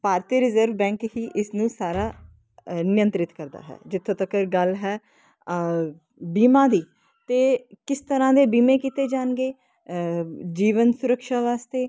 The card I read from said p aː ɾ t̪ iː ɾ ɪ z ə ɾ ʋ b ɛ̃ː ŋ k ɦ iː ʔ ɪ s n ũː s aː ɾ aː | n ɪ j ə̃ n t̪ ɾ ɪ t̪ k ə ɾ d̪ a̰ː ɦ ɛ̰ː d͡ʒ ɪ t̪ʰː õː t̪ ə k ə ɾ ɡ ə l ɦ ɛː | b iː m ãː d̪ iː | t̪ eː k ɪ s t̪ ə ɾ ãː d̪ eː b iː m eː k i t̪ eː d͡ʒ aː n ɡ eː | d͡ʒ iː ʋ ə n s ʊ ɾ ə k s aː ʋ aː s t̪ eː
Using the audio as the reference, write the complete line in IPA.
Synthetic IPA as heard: p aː ɾ t̪ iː ɾ ɪ z ə ɾ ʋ b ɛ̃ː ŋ k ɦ iː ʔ ɪ s n ũː s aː ɾ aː | n ɪ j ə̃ n t̪ ɾ ɪ t̪ k ə ɾ d̪ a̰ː ɦ ɛ̰ː d͡ʒ ɪ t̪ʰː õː t̪ ə k ə ɾ ɡ ə l ɦ ɛː | b iː m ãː d̪ iː | t̪ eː k ɪ s t̪ ə ɾ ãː d̪ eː b iː m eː k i t̪ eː d͡ʒ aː n ɡ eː | d͡ʒ iː ʋ ə n s ʊ ɾ ə k ʃ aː ʋ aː s t̪ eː